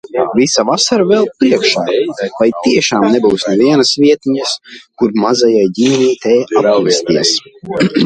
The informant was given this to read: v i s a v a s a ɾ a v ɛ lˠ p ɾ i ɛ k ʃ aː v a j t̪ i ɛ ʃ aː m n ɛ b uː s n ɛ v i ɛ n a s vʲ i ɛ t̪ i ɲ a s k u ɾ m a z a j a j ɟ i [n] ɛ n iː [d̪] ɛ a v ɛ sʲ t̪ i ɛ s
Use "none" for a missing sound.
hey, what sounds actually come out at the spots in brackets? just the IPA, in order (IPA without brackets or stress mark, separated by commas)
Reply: m, t̪